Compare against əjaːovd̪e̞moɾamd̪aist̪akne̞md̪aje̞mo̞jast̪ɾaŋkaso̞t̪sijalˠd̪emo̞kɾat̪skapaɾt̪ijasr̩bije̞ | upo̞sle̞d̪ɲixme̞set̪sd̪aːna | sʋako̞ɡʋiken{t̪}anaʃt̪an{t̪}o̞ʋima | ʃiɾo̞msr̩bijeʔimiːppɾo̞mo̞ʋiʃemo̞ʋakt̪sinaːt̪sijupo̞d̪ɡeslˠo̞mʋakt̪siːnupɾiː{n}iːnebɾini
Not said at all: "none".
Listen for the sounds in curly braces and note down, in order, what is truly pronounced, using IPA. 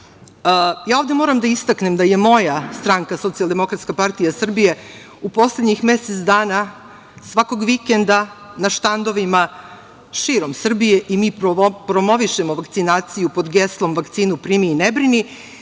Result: d̪, d̪, m

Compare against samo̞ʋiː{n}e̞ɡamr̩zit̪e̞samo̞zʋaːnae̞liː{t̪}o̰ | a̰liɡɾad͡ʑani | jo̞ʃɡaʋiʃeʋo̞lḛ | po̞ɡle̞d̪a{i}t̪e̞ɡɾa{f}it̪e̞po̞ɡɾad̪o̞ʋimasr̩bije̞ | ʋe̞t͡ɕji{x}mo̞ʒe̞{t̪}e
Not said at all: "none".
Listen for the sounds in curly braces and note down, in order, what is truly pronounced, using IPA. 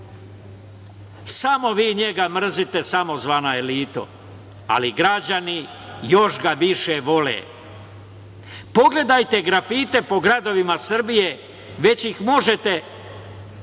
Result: ɲ, t̪, j, f, x, t̪

